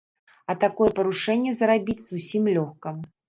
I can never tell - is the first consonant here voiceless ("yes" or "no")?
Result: yes